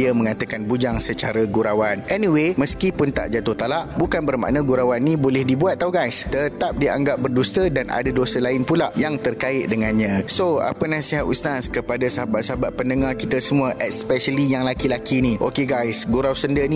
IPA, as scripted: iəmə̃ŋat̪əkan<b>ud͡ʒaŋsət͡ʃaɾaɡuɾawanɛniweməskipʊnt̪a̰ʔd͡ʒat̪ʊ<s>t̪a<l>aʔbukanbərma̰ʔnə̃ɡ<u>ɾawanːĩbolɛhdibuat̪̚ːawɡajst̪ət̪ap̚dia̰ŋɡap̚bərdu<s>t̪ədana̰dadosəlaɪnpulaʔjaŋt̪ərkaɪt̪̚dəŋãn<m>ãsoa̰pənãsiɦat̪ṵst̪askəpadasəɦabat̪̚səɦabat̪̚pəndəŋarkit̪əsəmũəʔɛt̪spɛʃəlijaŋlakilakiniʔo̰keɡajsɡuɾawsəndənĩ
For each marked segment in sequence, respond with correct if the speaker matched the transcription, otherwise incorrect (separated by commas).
correct, incorrect, correct, correct, correct, incorrect